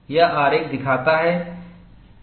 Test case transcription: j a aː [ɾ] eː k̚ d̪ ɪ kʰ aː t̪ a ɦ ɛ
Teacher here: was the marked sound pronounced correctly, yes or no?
yes